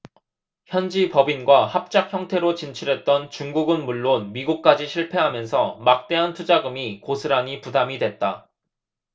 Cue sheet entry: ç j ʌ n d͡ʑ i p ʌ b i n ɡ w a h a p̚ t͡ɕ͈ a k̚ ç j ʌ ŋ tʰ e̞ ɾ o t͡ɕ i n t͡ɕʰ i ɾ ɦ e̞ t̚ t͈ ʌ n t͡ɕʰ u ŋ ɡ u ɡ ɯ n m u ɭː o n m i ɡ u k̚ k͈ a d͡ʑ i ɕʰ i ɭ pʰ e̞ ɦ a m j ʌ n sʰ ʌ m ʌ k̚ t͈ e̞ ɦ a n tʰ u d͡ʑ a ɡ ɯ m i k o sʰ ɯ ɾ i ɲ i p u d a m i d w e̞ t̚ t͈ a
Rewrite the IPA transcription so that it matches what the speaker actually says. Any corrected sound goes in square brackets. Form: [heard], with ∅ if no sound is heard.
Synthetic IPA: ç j ʌ n d͡ʑ i p ʌ b i n ɡ w a h a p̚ t͡ɕ͈ a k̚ ç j ʌ ŋ tʰ e̞ ɾ o t͡ɕ i n t͡ɕʰ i ɾ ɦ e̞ t̚ t͈ ʌ n [t͡ɕ] u ŋ ɡ u ɡ ɯ n m u ɭː o n m i ɡ u k̚ k͈ a d͡ʑ i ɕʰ i ɭ pʰ e̞ ɦ a m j ʌ n sʰ ʌ m [a] k̚ t͈ e̞ ɦ a n tʰ u d͡ʑ a ɡ ɯ m i k o sʰ ɯ ɾ [a] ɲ i p u d a m i d w e̞ t̚ t͈ a

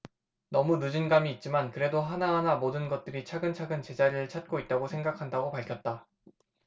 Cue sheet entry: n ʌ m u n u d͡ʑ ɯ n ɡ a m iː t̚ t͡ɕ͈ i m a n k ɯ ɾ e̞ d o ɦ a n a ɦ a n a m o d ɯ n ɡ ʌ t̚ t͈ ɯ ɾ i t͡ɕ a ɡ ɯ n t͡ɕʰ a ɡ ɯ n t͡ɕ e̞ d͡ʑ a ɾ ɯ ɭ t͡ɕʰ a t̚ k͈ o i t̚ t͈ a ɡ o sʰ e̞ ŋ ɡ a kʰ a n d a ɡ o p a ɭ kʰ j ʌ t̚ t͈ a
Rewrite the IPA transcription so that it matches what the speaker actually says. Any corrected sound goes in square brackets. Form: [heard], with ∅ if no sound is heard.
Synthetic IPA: n ʌ m u n u d͡ʑ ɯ n ɡ a m iː t̚ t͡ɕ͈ i m a n k ɯ ɾ e̞ d o ɦ a n a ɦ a n a m o d ɯ n ɡ ʌ t̚ t͈ ɯ ɾ i [t͡ɕʰ] a ɡ ɯ n t͡ɕʰ a ɡ ɯ n t͡ɕ e̞ d͡ʑ a ɾ ɯ ɭ t͡ɕʰ a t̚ k͈ o i t̚ t͈ a ɡ o sʰ e̞ ŋ ɡ a kʰ a n d a ɡ o p a ɭ kʰ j ʌ t̚ t͈ a

